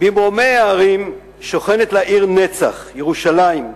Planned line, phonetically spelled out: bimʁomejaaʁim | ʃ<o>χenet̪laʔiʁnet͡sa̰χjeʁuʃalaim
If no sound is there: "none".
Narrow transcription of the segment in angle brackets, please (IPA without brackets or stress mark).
o